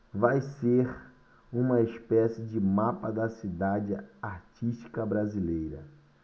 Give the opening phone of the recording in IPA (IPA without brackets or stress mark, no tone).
v